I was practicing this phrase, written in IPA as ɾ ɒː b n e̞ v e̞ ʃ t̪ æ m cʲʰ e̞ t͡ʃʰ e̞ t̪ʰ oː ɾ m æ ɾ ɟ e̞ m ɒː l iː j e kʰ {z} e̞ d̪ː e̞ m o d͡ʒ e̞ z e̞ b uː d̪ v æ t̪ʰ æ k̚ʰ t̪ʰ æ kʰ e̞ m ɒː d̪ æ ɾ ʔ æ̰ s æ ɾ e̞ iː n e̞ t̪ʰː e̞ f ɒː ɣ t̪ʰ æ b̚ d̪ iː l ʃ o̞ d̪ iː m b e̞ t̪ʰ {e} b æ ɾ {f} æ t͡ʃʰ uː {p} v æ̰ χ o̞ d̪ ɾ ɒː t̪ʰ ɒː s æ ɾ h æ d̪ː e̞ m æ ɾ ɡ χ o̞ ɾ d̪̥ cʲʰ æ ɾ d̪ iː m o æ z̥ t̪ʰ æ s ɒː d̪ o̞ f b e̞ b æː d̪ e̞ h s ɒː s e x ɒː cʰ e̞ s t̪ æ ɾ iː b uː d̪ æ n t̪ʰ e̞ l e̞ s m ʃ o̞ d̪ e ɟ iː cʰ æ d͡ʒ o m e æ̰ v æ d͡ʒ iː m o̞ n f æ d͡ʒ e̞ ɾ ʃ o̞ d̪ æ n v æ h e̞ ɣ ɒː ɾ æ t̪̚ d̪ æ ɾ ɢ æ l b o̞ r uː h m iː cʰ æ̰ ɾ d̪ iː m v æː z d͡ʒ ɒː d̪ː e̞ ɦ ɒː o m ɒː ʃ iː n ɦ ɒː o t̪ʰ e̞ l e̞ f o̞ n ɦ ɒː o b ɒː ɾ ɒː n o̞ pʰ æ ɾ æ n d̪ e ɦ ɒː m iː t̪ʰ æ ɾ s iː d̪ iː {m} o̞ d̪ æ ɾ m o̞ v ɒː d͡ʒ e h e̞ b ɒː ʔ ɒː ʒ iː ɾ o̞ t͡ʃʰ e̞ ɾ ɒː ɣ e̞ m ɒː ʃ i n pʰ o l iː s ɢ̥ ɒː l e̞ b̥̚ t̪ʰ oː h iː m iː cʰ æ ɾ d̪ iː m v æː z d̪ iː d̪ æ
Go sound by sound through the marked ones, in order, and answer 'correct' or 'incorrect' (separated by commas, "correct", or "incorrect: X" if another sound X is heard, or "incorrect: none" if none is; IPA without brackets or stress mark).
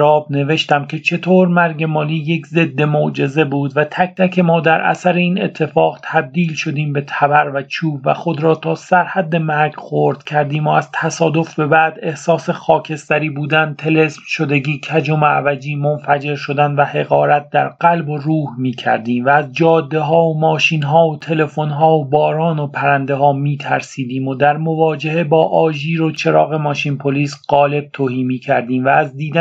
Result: correct, incorrect: æ, incorrect: v, incorrect: b, correct